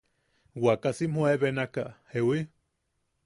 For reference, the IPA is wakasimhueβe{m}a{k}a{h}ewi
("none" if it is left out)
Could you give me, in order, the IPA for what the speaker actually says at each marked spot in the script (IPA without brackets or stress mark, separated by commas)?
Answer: n, k, h